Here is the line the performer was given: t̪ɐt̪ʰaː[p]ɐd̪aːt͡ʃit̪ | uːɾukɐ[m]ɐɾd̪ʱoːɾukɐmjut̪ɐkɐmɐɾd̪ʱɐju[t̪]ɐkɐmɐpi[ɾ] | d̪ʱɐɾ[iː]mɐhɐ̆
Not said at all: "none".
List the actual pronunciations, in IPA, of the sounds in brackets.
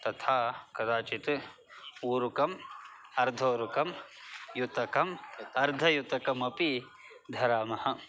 k, m, t̪, none, aː

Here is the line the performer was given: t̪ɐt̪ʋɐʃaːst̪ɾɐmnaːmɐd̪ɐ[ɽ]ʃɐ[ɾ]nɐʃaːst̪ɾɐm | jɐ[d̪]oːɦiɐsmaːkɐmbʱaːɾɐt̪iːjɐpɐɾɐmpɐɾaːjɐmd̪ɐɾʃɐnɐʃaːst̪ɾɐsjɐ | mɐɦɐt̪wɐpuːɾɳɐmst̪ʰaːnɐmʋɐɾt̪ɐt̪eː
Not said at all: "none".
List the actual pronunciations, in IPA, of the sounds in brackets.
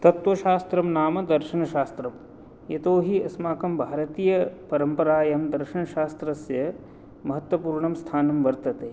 ɾ, none, t̪

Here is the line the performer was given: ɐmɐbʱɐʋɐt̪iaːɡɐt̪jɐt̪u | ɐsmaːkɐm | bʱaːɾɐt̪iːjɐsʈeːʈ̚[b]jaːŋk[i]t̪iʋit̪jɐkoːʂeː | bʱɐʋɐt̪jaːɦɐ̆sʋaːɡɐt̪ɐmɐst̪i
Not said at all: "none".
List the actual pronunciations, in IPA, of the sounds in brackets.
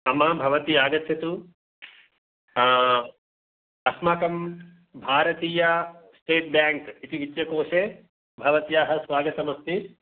b, i

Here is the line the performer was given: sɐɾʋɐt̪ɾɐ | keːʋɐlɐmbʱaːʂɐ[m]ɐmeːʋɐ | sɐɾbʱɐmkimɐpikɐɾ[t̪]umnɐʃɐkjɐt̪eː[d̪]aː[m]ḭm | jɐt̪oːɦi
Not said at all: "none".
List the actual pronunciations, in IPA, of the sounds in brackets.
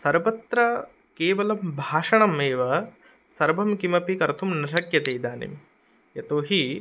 ɳ, t̪ʰ, d̪, n

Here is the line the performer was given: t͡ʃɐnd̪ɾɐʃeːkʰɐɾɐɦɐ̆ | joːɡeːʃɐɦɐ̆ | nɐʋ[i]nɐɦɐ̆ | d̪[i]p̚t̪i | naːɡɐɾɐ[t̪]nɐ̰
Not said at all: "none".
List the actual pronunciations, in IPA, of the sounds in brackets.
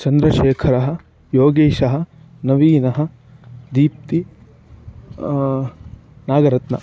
iː, iː, t̪

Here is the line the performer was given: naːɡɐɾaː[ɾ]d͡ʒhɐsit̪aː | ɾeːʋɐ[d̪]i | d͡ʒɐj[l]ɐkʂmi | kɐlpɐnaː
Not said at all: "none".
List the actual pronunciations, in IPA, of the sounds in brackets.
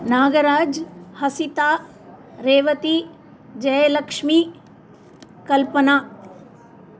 none, t̪, l

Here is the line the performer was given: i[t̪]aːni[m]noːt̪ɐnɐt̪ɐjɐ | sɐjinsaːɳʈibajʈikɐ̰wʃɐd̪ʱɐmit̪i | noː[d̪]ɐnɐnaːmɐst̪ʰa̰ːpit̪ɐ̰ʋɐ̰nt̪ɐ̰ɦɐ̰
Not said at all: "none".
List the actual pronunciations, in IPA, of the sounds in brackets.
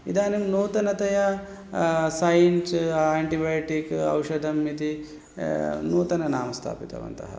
d̪, m, t̪

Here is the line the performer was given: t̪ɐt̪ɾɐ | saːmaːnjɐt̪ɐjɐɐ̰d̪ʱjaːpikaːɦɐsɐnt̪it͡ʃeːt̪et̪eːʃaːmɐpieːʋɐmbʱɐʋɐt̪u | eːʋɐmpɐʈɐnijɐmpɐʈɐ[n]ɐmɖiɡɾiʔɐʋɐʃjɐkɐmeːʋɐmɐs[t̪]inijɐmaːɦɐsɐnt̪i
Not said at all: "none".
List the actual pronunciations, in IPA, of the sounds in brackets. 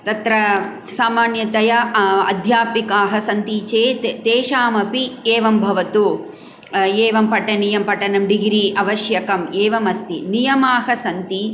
n, t̪

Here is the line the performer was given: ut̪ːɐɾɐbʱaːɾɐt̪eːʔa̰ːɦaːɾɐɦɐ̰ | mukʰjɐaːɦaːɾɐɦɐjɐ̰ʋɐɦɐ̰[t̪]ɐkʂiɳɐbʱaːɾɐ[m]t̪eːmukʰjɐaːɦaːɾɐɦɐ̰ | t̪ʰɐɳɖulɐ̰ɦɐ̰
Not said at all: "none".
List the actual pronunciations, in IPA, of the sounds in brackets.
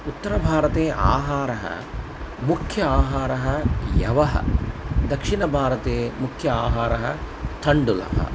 d̪, none

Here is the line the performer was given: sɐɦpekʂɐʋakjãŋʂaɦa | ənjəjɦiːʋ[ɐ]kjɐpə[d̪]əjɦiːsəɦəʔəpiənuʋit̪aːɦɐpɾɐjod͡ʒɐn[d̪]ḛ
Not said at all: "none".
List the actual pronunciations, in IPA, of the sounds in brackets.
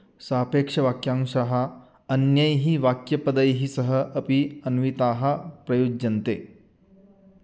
a, d̪, t̪

